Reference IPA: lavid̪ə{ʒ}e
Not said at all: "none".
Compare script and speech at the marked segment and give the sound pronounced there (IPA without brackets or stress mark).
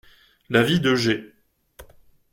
ʒ